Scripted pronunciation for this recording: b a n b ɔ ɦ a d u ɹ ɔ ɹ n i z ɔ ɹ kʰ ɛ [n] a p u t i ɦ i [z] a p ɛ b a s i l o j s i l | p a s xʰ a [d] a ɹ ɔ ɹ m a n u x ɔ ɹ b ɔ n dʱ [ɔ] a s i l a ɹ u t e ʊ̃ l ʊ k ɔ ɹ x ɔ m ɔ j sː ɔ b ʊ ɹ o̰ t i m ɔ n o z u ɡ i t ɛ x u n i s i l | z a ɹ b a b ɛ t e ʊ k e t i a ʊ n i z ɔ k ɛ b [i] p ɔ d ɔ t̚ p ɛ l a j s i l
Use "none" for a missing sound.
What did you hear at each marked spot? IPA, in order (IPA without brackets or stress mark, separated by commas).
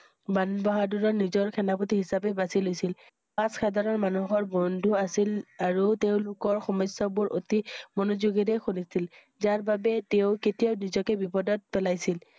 n, s, d, u, i